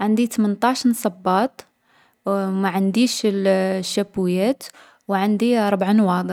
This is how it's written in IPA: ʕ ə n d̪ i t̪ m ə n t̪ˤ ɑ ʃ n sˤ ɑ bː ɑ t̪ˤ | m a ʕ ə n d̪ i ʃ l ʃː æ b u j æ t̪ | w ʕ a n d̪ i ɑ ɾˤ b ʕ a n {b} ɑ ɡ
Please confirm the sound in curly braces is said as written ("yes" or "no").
no